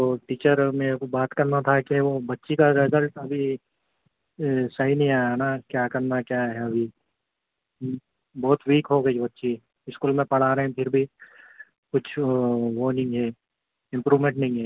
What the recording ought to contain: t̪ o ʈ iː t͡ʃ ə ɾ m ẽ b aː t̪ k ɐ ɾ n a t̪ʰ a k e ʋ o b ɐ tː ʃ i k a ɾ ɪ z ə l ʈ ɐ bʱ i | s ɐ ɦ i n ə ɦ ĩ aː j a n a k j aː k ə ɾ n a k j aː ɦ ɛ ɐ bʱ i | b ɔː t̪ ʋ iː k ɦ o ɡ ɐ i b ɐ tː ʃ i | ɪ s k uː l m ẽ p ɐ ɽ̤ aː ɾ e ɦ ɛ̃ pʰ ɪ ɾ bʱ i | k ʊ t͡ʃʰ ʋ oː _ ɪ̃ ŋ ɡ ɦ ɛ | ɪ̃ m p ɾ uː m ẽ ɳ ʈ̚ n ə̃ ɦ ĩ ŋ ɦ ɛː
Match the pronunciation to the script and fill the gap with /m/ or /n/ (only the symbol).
n